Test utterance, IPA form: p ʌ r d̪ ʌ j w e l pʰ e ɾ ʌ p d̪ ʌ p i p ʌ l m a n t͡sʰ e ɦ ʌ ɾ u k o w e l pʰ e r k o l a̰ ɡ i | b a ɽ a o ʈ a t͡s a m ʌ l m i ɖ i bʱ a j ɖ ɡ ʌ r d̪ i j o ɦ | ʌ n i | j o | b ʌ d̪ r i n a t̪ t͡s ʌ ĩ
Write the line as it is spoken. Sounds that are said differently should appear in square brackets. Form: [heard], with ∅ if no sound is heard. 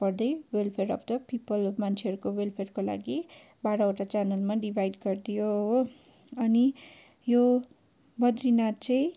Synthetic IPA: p ʌ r d̪ ʌ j w e l pʰ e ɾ ʌ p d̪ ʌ p i p ʌ l m a n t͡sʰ e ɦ ʌ ɾ u k o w e l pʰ e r k o l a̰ ɡ i | b a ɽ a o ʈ a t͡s a [n] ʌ l m [a] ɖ i bʱ a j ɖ ɡ ʌ r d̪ i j o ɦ | ʌ n i | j o | b ʌ d̪ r i n a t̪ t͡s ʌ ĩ